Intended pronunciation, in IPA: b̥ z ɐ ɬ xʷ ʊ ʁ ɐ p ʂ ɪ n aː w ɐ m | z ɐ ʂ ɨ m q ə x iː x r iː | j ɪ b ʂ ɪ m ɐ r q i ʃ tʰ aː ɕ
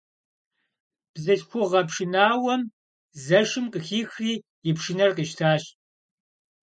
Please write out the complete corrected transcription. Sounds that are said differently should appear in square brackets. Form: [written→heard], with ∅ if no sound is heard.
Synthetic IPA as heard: b̥ z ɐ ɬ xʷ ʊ ʁ ɐ p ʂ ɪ n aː w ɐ m | z ɐ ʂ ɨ m q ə x iː x r iː | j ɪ [b→p] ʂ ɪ [m→n] ɐ r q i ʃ tʰ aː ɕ

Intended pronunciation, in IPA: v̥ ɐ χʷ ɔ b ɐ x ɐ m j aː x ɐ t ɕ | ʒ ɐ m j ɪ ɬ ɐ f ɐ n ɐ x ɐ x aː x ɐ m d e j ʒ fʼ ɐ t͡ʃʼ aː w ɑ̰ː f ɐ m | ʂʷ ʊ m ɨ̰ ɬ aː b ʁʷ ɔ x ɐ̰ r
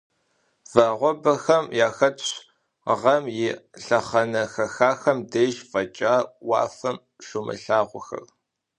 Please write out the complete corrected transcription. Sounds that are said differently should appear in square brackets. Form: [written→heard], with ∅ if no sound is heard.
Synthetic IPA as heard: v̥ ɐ [χʷ→ʁʷ] ɔ b ɐ x ɐ m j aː x ɐ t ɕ | [ʒ→ʁ] ɐ m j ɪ ɬ ɐ [f→χ] ɐ n ɐ x ɐ x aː x ɐ m d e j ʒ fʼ ɐ t͡ʃʼ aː w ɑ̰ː f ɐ m | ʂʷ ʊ m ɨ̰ ɬ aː [b→∅] ʁʷ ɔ x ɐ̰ r

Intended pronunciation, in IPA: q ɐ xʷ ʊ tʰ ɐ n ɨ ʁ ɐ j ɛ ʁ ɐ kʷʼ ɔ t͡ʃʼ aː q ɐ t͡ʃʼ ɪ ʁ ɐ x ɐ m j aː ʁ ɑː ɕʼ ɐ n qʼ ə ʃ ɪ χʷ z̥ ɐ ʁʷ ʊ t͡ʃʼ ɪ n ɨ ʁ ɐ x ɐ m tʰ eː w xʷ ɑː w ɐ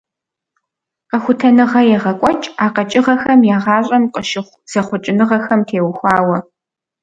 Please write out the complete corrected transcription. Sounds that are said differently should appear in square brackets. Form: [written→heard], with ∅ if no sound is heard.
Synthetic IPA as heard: q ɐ xʷ ʊ tʰ ɐ n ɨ ʁ ɐ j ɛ ʁ ɐ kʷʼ ɔ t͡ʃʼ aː q ɐ t͡ʃʼ ɪ ʁ ɐ x ɐ m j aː ʁ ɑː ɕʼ ɐ [n→m] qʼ ə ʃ ɪ χʷ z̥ ɐ [ʁʷ→χʷ] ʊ t͡ʃʼ ɪ n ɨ ʁ ɐ x ɐ m tʰ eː w xʷ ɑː w ɐ

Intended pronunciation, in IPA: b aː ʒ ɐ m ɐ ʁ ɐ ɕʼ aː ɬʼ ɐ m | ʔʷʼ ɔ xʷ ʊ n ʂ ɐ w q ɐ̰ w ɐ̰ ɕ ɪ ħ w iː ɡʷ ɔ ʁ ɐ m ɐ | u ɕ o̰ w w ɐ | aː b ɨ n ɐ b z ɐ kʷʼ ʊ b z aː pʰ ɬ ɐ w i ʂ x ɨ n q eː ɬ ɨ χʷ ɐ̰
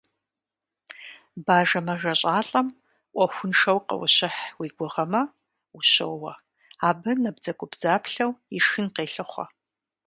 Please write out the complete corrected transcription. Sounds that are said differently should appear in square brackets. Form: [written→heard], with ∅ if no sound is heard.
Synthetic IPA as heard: b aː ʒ ɐ m ɐ [ʁ→ʒ] ɐ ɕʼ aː ɬʼ ɐ m | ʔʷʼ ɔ xʷ ʊ n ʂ ɐ w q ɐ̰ w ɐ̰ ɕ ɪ ħ w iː ɡʷ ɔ ʁ ɐ m ɐ | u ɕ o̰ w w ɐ | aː b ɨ n ɐ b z ɐ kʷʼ ʊ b z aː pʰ ɬ ɐ w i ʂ x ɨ n q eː ɬ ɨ χʷ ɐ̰

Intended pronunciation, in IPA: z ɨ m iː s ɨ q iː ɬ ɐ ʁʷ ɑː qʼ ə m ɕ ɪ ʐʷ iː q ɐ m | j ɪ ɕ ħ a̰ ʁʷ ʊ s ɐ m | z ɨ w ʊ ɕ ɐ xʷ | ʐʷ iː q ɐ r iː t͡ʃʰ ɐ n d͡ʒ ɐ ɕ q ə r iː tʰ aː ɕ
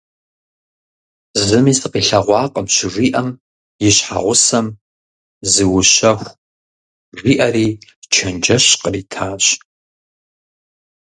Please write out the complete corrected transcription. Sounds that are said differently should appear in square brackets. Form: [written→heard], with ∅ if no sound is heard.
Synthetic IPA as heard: z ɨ m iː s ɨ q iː ɬ ɐ ʁʷ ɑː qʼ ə m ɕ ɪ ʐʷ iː [q→ʔ] ɐ m | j ɪ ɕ ħ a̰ ʁʷ ʊ s ɐ m | z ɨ w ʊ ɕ ɐ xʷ | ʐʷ iː [q→ʔ] ɐ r iː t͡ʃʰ ɐ n d͡ʒ ɐ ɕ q ə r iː tʰ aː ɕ

